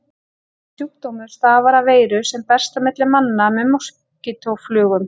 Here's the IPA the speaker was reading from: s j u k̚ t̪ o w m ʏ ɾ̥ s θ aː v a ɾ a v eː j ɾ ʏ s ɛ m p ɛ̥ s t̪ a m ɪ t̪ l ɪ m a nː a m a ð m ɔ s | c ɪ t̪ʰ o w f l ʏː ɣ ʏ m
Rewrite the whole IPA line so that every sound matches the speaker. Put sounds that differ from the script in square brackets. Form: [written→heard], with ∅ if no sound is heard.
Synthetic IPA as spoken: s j u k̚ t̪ o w m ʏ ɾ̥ s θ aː v a ɾ a v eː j ɾ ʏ s ɛ m p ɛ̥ s t̪ a m ɪ t̪ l ɪ m a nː a m [a→ɛ] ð m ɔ s | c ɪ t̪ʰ o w f l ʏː ɣ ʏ m